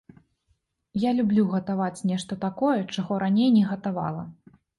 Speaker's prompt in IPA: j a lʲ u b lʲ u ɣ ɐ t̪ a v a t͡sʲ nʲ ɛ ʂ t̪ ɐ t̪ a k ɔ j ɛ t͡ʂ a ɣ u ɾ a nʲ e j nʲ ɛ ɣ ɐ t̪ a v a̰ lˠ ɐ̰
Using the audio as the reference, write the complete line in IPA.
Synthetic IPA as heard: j a lʲ u b lʲ u ɣ ɐ t̪ a v a t͡sʲ nʲ ɛ ʂ t̪ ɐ t̪ a k ɔ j ɛ t͡ʂ a ɣ ɔ ɾ a nʲ e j nʲ ɛ ɣ ɐ t̪ a v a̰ lˠ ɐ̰